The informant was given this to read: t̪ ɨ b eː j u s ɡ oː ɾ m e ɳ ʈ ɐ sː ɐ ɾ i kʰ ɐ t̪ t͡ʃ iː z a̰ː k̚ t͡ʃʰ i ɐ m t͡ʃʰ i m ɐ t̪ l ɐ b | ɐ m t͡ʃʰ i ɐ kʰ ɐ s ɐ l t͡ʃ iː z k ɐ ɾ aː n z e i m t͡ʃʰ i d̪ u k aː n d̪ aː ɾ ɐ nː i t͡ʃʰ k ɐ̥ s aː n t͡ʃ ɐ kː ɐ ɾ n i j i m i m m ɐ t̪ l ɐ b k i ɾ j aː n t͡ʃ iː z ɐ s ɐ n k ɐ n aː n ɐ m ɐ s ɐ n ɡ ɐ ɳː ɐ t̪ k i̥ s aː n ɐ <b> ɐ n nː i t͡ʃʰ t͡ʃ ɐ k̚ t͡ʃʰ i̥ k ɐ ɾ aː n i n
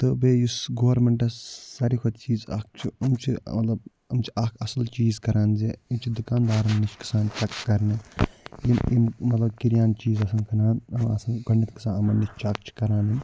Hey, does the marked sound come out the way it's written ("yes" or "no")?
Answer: no